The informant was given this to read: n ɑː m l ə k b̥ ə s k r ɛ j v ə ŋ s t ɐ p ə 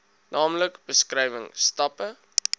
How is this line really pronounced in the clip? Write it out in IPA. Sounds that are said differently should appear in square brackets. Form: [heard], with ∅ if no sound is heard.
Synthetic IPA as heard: n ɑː m l ə k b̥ ə s k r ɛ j v ə ŋ s t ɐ p ə